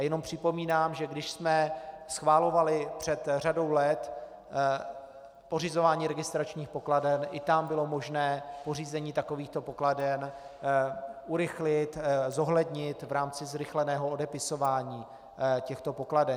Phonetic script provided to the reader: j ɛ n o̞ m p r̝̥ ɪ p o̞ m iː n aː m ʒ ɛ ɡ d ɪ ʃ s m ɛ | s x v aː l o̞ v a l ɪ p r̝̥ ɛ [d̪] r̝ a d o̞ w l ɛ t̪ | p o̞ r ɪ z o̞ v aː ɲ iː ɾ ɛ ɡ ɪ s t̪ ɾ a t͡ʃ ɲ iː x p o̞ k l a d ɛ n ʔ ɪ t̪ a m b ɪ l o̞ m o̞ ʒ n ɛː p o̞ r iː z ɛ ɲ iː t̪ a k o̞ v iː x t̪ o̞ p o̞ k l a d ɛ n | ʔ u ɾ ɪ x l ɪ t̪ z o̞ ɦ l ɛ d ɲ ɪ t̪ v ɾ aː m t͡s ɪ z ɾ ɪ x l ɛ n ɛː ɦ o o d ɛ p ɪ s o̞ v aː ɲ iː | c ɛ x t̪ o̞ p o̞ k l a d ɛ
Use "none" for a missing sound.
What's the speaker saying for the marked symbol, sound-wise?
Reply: t̪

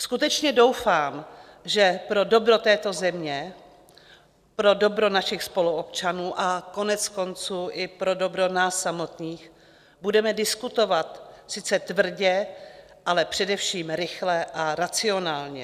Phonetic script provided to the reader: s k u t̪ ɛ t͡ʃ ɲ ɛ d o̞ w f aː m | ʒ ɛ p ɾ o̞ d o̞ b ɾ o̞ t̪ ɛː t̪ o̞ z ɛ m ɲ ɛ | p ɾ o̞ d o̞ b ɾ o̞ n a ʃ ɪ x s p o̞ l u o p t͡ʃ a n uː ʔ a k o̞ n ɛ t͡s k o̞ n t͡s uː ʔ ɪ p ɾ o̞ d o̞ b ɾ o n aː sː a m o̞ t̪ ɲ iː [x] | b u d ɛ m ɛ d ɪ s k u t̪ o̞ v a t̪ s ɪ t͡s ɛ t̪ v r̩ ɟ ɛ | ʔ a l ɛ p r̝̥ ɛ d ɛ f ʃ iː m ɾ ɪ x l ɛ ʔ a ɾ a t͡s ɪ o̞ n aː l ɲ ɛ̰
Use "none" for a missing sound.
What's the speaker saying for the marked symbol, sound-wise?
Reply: x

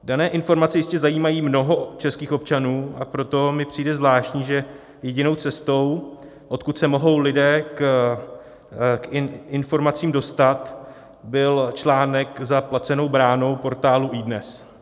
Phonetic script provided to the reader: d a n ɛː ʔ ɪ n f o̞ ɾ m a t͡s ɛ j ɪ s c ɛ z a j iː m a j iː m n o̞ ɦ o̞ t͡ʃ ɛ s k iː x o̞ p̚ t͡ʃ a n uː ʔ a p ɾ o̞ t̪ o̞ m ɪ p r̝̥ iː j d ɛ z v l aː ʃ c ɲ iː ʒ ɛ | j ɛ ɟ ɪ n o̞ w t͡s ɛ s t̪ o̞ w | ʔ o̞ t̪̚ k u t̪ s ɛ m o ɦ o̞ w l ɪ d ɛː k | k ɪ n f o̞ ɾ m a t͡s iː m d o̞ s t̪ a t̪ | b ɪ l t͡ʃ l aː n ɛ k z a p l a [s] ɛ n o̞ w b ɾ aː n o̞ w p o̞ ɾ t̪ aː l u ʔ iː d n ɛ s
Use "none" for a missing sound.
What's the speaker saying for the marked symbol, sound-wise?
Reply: t͡s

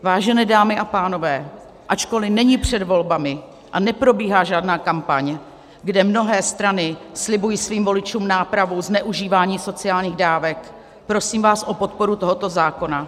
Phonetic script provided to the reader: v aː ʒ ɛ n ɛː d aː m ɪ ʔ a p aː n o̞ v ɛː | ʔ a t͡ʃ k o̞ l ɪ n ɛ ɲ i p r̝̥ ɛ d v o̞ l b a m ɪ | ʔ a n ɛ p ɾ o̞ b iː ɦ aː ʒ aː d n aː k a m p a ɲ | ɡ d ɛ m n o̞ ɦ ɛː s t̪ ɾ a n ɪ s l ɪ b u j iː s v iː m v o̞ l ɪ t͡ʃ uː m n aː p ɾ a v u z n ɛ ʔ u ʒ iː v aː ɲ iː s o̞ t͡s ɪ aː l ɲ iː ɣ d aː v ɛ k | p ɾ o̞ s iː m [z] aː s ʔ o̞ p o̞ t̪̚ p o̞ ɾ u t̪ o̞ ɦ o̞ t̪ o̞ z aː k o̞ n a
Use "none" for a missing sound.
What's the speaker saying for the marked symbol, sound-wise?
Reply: v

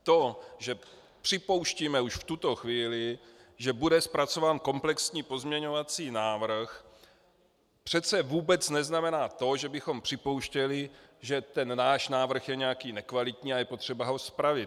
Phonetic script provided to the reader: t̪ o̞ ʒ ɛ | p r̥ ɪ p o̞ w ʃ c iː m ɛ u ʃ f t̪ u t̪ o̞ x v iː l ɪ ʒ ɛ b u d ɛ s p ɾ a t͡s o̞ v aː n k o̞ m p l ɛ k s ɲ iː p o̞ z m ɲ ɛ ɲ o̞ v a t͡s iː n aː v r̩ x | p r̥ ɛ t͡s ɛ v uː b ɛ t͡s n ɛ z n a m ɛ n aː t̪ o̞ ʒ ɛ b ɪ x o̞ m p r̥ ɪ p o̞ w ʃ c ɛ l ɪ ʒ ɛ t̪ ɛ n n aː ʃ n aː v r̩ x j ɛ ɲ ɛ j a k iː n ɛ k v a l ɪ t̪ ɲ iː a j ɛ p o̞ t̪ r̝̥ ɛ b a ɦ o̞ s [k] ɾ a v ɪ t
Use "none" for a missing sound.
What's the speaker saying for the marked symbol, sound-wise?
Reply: p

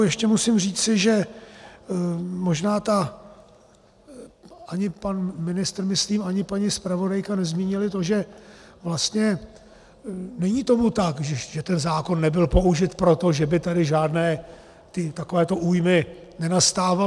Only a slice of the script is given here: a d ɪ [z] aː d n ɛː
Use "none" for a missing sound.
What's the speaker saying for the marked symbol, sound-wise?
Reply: ʒ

